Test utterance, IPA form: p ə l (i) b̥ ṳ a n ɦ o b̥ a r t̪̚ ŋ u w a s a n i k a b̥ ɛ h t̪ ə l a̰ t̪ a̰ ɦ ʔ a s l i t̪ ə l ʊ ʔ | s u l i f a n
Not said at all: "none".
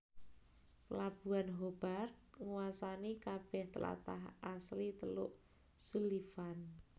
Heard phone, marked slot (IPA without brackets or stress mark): a